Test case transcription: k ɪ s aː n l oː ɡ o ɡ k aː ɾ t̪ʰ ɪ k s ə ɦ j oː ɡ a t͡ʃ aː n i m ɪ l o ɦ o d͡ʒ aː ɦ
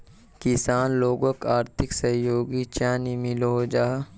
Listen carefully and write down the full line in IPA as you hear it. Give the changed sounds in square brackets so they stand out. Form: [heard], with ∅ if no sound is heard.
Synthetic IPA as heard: k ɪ s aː n l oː ɡ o [∅] k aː ɾ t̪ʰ ɪ k s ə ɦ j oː ɡ [i] t͡ʃ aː n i m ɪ l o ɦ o d͡ʒ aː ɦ